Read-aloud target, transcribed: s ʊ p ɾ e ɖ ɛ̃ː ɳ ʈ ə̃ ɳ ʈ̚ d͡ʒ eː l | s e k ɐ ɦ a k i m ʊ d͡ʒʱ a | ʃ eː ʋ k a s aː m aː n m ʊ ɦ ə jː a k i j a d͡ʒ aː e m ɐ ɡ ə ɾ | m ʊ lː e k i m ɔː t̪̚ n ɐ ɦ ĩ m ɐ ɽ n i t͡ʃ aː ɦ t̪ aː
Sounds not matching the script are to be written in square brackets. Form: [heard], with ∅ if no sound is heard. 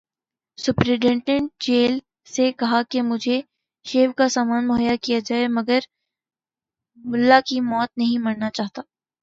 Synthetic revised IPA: s ʊ p ɾ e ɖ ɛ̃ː ɳ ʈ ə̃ ɳ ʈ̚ d͡ʒ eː l | s e k ɐ ɦ a k [e] m ʊ d͡ʒʱ [e] | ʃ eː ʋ k a s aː m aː n m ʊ ɦ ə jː a k i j a d͡ʒ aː e m ɐ ɡ ə ɾ | m ʊ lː [a] k i m ɔː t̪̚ n ɐ ɦ ĩ m ɐ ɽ n [a] t͡ʃ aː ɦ t̪ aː